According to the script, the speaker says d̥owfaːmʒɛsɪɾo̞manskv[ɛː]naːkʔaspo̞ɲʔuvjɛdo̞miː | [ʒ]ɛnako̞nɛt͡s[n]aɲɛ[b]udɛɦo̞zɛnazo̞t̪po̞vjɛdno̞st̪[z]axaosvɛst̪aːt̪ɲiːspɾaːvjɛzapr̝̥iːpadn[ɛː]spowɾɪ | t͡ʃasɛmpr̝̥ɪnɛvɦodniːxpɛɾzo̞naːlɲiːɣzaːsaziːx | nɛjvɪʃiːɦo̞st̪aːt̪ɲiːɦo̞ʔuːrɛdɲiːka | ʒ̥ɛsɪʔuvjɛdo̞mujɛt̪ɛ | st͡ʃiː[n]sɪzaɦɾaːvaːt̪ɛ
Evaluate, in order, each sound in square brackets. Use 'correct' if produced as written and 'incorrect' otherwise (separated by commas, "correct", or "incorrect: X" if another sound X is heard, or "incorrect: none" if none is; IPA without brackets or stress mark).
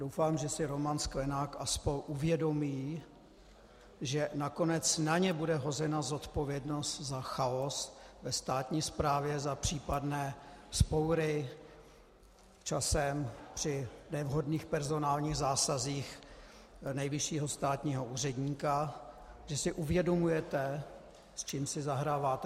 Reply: incorrect: ɛ, correct, correct, correct, correct, correct, incorrect: m